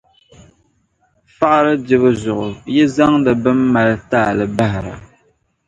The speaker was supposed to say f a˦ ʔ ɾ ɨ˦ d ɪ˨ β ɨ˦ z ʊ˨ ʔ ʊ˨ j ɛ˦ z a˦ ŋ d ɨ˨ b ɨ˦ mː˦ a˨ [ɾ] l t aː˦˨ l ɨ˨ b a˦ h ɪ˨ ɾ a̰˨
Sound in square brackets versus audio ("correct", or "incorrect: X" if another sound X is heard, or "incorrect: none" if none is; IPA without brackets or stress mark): incorrect: none